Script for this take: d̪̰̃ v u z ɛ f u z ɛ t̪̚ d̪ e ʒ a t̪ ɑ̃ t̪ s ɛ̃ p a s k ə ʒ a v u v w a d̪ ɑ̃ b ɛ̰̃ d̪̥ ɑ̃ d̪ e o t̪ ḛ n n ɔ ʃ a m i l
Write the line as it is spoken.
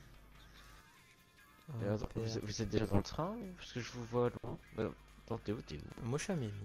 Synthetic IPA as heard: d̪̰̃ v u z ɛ v u z ɛ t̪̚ d̪ e ʒ a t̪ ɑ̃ t̪ χ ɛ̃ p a s k ə ʒ ə v u v w a d̪ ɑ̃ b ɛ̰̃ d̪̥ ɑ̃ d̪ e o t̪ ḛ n m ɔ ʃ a m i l